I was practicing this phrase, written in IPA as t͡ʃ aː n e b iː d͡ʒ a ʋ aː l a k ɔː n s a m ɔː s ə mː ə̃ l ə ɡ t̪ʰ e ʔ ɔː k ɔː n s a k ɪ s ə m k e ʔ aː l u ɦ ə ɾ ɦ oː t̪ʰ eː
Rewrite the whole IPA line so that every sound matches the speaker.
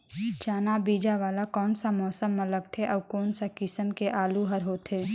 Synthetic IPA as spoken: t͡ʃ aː n a b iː d͡ʒ a ʋ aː l a k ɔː n s a m ɔː s ə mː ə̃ l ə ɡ t̪ʰ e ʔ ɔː k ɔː n s a k ɪ s ə m k e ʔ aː l u ɦ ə ɾ ɦ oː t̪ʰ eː